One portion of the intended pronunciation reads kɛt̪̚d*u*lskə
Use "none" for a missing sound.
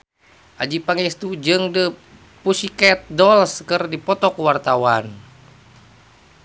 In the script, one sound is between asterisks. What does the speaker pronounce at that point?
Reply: ɔ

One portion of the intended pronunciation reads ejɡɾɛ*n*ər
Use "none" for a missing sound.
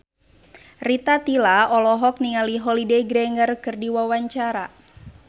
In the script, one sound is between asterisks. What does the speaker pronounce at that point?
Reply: ŋ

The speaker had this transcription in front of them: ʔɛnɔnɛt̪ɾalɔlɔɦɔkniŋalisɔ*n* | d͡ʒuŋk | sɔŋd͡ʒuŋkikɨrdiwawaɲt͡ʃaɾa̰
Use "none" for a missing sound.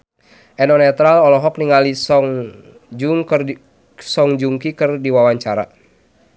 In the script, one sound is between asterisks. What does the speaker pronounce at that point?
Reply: ŋ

